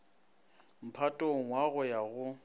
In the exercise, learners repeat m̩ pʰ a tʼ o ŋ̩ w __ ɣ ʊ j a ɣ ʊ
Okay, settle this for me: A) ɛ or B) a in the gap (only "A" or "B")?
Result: B